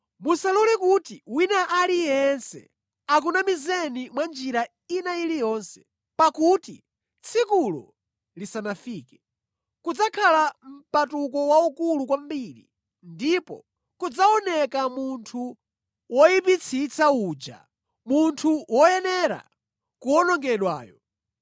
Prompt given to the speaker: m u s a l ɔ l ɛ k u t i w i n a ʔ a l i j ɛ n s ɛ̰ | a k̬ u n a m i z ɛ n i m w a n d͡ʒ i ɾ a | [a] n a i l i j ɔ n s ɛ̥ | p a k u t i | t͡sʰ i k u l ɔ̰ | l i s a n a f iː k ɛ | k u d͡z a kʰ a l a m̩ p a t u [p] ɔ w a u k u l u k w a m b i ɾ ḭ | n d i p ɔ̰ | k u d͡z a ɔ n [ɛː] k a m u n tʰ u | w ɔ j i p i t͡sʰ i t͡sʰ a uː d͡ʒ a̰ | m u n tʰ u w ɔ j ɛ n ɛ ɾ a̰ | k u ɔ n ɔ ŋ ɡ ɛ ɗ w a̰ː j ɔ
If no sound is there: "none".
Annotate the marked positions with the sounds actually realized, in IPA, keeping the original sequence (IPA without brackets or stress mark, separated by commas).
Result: i, k, ɛ